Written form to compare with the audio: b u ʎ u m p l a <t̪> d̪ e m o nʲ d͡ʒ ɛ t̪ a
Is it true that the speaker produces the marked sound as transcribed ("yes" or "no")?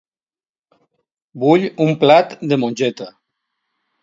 yes